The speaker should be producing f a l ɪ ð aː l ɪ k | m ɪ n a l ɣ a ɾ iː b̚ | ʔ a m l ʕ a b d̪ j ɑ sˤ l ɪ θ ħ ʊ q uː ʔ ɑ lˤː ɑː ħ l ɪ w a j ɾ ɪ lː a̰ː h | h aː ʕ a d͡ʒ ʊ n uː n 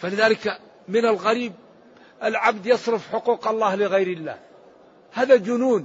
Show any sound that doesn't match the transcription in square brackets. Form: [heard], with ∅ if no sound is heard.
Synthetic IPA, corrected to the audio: f a l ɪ ð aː l ɪ k | m ɪ n a l ɣ a ɾ iː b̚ | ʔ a [∅] l ʕ a b d̪ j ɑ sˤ [ɾ] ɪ [f] ħ ʊ q uː [q] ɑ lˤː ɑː [h] l ɪ [ɣ] a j ɾ ɪ lː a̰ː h | h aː [ð] a d͡ʒ ʊ n uː n